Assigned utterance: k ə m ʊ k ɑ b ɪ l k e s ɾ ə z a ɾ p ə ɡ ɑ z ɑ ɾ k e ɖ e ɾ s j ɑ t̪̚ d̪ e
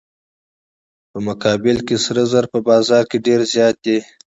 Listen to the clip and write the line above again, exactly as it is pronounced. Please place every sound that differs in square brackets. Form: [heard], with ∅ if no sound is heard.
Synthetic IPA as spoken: [p] ə m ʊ k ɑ b ɪ l k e s ɾ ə z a ɾ p ə [b] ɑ z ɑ ɾ k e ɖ e ɾ [z] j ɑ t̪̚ d̪ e